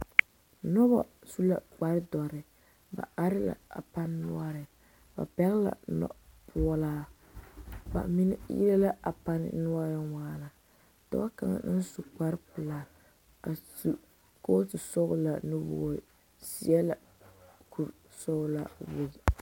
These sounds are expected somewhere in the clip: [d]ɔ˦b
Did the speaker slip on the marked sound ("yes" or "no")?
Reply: yes